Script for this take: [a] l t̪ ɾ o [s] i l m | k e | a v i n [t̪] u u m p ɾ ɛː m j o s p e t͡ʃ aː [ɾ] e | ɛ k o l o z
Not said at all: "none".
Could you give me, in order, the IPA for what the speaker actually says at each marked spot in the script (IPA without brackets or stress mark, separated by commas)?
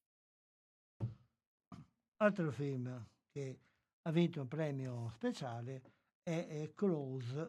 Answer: a, f, t̪, l